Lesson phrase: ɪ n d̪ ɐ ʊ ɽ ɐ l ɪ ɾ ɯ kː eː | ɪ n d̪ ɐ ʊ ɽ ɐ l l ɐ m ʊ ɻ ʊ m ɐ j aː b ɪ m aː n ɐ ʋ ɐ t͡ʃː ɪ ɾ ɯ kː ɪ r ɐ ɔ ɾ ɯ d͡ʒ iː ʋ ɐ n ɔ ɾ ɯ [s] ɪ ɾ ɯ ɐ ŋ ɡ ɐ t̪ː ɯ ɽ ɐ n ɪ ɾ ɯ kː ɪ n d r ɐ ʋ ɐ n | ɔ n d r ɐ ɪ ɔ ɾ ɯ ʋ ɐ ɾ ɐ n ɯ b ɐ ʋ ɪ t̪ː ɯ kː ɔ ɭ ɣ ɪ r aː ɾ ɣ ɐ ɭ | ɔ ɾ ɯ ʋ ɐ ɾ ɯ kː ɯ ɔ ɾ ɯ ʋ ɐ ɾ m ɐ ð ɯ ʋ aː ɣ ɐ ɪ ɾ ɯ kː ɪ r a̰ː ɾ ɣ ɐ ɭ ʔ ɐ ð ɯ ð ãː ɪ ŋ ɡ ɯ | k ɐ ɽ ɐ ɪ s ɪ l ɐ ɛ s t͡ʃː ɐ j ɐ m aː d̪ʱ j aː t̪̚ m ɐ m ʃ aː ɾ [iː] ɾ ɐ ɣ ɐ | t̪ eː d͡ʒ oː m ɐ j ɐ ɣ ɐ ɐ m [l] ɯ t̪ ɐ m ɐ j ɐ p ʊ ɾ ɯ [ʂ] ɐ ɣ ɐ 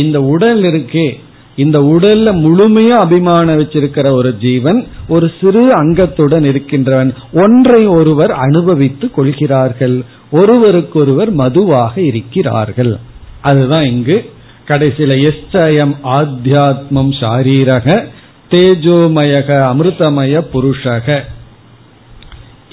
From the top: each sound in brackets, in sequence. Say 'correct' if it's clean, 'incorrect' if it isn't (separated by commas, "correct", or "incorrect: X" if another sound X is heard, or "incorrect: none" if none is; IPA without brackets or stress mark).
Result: correct, correct, incorrect: ɾ, correct